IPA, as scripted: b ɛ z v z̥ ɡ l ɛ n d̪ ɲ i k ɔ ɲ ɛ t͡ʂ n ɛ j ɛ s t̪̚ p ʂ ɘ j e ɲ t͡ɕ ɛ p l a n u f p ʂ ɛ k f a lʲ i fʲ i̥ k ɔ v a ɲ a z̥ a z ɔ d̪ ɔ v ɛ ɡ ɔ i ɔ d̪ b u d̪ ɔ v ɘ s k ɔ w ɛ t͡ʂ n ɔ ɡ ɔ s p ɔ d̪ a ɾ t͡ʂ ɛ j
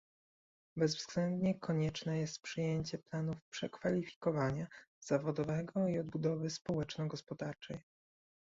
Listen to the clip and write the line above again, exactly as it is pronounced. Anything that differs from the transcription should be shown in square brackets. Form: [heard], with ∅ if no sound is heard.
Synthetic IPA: b ɛ z v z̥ ɡ l ɛ n d̪ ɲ [ɛ] k ɔ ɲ ɛ t͡ʂ n ɛ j ɛ s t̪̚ p ʂ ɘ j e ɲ t͡ɕ ɛ p l a n u f p ʂ ɛ k f a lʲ i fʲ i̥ k ɔ v a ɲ a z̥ a [v] ɔ d̪ ɔ v ɛ ɡ ɔ i ɔ d̪ b u d̪ ɔ v ɘ s [p] ɔ w ɛ t͡ʂ n ɔ ɡ ɔ s p ɔ d̪ a ɾ t͡ʂ ɛ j

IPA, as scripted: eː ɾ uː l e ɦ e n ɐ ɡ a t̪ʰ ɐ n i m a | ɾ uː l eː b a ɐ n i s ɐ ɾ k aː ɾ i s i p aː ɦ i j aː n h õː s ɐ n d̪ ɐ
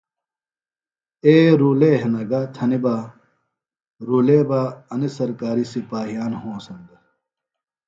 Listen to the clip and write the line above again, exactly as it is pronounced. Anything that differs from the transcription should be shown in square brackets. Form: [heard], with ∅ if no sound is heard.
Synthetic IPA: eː ɾ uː l e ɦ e n ɐ ɡ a t̪ʰ ɐ n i [b] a | ɾ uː l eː b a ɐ n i s ɐ ɾ k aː ɾ i s i p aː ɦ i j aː n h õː s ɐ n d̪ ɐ

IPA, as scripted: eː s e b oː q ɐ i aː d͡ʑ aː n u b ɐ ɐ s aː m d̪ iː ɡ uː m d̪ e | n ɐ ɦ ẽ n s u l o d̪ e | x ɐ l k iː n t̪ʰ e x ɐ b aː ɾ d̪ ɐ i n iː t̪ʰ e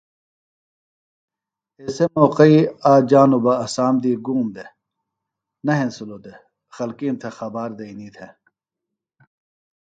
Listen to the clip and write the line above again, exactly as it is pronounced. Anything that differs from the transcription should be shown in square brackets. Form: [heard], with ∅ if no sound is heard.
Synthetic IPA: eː s e [m] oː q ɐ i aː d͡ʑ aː n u b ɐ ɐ s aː m d̪ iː ɡ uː m d̪ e | n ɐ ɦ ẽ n s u l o d̪ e | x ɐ l k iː n t̪ʰ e x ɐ b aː ɾ d̪ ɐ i n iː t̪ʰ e

